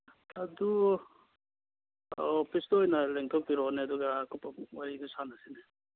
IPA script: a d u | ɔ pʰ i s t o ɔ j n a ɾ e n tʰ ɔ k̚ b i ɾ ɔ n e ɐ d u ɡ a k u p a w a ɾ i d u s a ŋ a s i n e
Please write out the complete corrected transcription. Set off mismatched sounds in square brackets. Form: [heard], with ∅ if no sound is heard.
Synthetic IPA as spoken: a d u | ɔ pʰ i s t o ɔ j n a [l] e [ŋ] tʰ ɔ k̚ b i ɾ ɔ n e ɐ d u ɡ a k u p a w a ɾ i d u s a [n] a s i n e

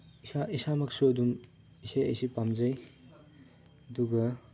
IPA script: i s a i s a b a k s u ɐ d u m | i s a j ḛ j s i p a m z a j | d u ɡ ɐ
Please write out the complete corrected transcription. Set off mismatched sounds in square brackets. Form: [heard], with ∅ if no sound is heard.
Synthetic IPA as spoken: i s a i s a [m] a k s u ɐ d u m | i s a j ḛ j s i p a m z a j | d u ɡ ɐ

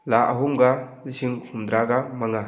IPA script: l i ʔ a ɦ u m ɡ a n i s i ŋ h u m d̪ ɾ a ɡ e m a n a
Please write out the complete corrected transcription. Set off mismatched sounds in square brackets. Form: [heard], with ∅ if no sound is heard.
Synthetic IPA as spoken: l [a] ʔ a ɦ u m ɡ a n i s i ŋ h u m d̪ ɾ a ɡ [a] m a [ŋ] a

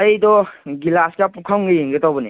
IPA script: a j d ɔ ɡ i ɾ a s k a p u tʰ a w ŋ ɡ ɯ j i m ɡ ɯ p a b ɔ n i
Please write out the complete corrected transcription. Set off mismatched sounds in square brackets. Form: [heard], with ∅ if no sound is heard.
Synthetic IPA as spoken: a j d ɔ ɡ i [l] a s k a p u [kʰ] a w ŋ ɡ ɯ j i [ŋ] ɡ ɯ [t] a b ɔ n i

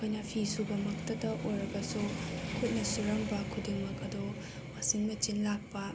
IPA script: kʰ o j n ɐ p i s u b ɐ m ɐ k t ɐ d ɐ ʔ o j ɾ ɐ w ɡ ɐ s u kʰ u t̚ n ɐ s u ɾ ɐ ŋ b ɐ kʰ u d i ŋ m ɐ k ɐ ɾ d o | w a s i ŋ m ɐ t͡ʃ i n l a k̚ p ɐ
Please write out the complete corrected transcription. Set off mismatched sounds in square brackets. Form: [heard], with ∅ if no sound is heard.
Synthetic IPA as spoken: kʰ o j n ɐ [pʰ] i s u b ɐ m ɐ k t ɐ d ɐ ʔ o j ɾ ɐ [∅] ɡ ɐ s u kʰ u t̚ n ɐ s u ɾ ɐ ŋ b ɐ kʰ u d i ŋ m ɐ k ɐ [∅] d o | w a s i ŋ m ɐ t͡ʃ i n l a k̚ p ɐ

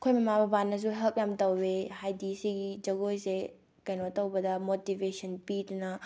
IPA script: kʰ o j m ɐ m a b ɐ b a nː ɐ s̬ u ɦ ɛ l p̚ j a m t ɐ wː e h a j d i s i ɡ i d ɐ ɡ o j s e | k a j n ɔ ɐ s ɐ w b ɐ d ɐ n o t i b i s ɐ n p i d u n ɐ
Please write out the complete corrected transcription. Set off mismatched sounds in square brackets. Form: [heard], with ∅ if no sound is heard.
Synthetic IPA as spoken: kʰ o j m ɐ m a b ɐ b a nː ɐ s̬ u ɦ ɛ l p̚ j a m t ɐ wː e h a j d i s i ɡ i [d͡ʒ] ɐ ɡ o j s e | k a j n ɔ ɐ [t] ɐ w b ɐ d ɐ [m] o t i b [e] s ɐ n p i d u n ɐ

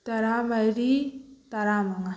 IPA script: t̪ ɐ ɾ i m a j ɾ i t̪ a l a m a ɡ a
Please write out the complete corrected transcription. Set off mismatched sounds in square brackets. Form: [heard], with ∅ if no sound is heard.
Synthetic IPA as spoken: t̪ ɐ ɾ [a] m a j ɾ i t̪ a [ɾ] a m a [ŋ] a

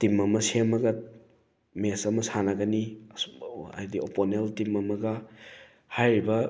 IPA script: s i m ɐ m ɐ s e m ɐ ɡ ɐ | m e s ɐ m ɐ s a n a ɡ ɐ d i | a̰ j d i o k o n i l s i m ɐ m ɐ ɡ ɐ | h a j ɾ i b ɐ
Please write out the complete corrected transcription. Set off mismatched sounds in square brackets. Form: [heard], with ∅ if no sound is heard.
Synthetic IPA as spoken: [t] i m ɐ m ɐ s e m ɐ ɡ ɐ | m e s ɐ m ɐ s a n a ɡ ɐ [n] i | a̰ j d i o [p] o n [e] l [t] i m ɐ m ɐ ɡ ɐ | h a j ɾ i b ɐ

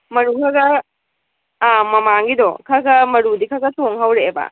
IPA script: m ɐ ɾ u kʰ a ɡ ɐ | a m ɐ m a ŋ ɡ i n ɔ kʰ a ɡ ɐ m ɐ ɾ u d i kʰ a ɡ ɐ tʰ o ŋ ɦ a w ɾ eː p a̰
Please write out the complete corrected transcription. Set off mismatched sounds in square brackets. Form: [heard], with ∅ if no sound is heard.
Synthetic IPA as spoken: m ɐ ɾ u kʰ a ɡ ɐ | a m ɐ m a ŋ ɡ i [d] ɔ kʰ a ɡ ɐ m ɐ ɾ u d i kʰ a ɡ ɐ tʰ o ŋ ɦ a w ɾ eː [b] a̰

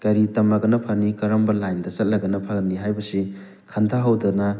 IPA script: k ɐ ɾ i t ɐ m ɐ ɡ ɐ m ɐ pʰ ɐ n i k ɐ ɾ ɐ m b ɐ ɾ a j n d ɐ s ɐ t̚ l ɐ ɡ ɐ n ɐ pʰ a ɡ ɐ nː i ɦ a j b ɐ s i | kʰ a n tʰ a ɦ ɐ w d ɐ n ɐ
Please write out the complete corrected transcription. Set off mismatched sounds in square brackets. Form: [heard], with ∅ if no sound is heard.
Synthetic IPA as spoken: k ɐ ɾ i t ɐ m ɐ ɡ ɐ [n] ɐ pʰ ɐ n i k ɐ ɾ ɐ m b ɐ [l] a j n d ɐ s ɐ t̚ l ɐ ɡ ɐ n ɐ pʰ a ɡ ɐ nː i ɦ a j b ɐ s i | kʰ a n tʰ a ɦ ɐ w d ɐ n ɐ

